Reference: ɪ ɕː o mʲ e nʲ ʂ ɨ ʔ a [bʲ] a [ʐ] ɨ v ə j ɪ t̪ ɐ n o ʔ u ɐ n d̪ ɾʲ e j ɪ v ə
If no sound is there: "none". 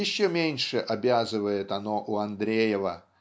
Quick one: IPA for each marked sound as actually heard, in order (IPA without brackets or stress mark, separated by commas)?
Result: bʲ, z